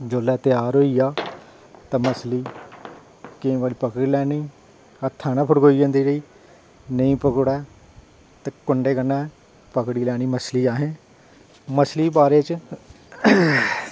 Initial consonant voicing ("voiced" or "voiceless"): voiced